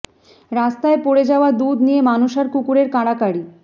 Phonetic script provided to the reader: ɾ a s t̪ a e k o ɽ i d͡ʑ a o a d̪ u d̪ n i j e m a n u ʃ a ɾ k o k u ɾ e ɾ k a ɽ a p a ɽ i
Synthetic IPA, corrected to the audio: ɾ a s t̪ a e p o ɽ e d͡ʑ a o a d̪ u d̪ n i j e m a n u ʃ a ɾ k u k u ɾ e ɾ k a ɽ a k a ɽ i